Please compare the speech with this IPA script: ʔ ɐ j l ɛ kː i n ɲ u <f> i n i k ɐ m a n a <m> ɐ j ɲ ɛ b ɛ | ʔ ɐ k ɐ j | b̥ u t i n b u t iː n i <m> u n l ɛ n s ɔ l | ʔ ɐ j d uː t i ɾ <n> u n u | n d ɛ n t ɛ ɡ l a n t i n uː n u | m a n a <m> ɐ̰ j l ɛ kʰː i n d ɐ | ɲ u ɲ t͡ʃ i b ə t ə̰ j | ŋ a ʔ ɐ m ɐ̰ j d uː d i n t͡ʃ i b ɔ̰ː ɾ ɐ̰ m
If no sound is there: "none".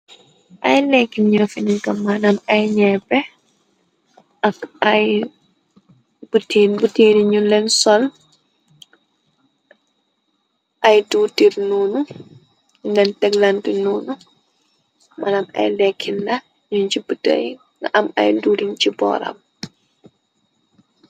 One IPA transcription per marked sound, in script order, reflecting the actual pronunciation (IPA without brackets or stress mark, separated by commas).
f, m, ɲ, n, m